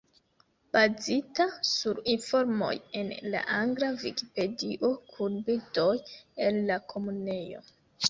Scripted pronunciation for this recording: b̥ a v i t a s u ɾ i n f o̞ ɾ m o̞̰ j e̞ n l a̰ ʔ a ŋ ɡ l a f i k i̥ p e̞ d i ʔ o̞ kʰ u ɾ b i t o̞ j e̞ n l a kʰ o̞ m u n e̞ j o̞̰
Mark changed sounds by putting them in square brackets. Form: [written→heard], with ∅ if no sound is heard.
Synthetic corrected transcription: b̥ a [v→z] i t a s u ɾ i n f o̞ ɾ m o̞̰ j e̞ n l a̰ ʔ a ŋ ɡ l a [f→v] i k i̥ p e̞ d i ʔ o̞ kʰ u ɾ b i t o̞ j e̞ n l a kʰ o̞ m u n e̞ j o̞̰

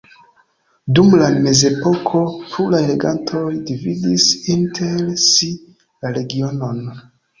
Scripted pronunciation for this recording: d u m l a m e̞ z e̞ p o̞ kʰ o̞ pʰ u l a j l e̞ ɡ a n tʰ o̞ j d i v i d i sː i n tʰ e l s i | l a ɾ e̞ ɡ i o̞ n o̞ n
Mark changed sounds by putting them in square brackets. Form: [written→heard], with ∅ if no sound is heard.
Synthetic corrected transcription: d u m l a m e̞ z e̞ p o̞ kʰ o̞ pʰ u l a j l e̞ ɡ a n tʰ o̞ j d i v i d i [sː→s] i n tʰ e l s i | l a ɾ e̞ ɡ i o̞ n o̞ n

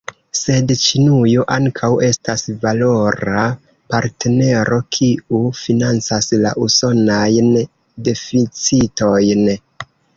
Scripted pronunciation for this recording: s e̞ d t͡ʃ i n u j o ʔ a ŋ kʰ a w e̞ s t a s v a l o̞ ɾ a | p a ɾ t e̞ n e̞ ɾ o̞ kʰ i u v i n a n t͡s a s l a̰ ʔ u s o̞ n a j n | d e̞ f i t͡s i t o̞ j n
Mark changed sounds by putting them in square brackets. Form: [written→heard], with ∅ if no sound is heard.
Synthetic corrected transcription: s e̞ d t͡ʃ i n u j o ʔ a ŋ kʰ a w e̞ s t a s v a l o̞ ɾ a | p a ɾ t e̞ n e̞ ɾ o̞ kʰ i u [v→f] i n a n t͡s a s l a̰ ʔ u s o̞ n a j n | d e̞ f i t͡s i t o̞ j n

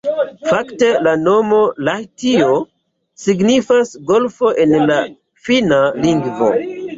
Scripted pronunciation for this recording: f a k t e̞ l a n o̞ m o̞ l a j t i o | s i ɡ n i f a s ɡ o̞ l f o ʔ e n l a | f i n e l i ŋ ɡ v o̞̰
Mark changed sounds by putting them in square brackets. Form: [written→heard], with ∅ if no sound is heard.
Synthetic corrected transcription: f a k t e̞ l a n o̞ m o̞ l a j t i o | s i ɡ n i f a s ɡ o̞ l f o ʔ e n l a | f i n [e→a] l i ŋ ɡ v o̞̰

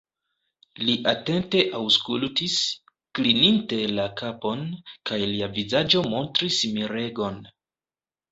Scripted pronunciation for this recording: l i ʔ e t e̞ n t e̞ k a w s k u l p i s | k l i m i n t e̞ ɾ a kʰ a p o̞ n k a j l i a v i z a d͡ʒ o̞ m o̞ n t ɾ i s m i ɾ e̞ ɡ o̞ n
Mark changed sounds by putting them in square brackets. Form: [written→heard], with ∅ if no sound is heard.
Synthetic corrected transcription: l i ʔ [e→a] t e̞ n t e̞ [k→ʔ] a w s k u l [p→t] i s | k l i [m→n] i n t e̞ [ɾ→l] a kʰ a p o̞ n k a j l i a v i z a d͡ʒ o̞ m o̞ n t ɾ i s m i ɾ e̞ ɡ o̞ n

